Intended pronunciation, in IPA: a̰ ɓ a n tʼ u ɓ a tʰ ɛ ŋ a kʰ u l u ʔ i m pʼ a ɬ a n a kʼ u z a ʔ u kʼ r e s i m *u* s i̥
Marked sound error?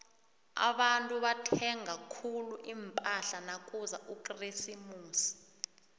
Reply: yes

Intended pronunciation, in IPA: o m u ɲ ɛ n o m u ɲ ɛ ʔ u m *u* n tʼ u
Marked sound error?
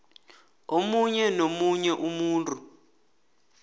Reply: yes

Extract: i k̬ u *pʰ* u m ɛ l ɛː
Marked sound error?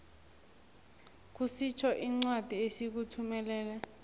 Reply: yes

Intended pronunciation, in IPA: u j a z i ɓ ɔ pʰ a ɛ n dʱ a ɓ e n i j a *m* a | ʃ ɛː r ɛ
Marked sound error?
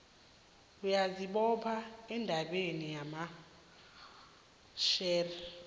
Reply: no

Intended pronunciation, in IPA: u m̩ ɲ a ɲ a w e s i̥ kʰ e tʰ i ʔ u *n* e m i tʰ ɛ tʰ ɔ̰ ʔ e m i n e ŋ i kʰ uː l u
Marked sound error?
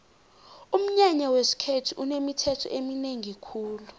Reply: no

